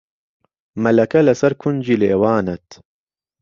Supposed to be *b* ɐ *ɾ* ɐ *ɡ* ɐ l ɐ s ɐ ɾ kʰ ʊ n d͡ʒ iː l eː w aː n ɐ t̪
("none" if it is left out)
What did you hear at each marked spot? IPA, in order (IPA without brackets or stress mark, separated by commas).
m, l, k